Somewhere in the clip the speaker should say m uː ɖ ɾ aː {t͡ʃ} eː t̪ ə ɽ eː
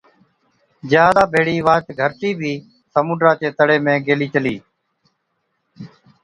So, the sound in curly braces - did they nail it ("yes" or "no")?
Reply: yes